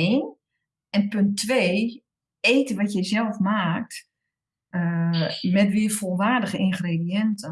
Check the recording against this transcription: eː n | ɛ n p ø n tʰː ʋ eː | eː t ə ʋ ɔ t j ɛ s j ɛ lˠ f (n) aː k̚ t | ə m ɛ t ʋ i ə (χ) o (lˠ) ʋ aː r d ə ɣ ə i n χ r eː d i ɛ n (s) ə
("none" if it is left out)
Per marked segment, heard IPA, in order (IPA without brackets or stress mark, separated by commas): m, f, lˠ, t